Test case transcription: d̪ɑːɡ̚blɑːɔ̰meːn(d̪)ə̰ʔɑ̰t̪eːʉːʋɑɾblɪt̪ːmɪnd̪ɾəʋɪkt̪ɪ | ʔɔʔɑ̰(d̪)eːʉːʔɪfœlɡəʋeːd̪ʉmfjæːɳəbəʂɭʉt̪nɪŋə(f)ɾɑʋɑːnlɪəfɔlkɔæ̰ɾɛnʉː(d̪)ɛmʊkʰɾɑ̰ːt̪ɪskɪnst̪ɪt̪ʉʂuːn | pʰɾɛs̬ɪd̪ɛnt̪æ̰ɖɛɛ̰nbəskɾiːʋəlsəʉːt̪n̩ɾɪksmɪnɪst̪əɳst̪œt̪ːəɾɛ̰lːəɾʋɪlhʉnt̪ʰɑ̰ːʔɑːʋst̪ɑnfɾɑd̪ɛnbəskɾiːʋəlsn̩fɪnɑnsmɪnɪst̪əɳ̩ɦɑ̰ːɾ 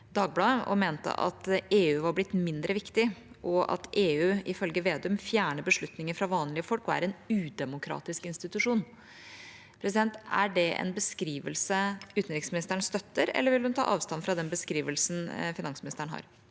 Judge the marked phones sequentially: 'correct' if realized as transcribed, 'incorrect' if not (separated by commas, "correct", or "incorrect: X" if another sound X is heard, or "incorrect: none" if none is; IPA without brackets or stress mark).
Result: incorrect: t̪, incorrect: t̪, correct, correct